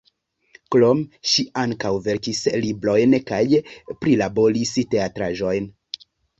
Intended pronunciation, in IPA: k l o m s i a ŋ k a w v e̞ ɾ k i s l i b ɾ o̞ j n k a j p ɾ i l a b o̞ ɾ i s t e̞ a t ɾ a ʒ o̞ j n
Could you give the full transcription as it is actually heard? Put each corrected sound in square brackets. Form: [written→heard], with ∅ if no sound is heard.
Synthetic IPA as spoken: k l o m [s→ʃ] i a ŋ k a w v e̞ ɾ k i s l i b ɾ o̞ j n k a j p ɾ i l a b o̞ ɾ i s t e̞ a t ɾ a ʒ o̞ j n